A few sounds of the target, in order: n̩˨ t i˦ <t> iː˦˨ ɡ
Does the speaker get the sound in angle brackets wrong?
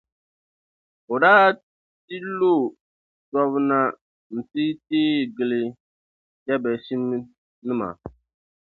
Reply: no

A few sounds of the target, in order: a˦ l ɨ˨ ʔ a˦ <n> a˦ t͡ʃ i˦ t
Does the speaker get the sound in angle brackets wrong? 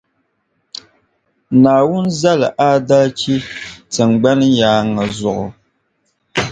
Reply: yes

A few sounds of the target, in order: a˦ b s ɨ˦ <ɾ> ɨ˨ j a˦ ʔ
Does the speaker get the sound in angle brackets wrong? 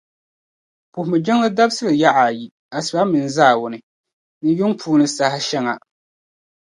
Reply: yes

